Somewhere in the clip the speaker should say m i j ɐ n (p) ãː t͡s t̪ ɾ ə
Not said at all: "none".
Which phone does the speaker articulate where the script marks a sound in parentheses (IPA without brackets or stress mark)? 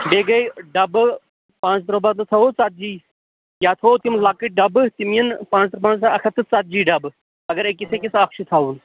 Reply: p